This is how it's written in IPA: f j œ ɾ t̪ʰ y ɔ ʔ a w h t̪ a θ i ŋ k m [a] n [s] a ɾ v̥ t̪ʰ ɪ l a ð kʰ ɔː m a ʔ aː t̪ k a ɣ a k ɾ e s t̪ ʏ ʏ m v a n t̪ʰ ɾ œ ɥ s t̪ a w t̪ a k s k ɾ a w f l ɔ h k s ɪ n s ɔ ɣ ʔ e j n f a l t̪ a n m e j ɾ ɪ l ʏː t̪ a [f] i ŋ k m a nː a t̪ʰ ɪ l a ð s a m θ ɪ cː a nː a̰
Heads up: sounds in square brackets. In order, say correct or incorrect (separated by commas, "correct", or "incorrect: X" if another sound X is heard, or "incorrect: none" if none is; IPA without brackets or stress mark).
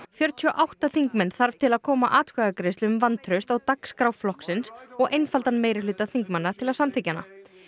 incorrect: ɛ, incorrect: θ, incorrect: θ